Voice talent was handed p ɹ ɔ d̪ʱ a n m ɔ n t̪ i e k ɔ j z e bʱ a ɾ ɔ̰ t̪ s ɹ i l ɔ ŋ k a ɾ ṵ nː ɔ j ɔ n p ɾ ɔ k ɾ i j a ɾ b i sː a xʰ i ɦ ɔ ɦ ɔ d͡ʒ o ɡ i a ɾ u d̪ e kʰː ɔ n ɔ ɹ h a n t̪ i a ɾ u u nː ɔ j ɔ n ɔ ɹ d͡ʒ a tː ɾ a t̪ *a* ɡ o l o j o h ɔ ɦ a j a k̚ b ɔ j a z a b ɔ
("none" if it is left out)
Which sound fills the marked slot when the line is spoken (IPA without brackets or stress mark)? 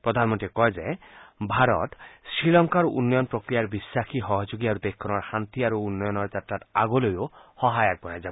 a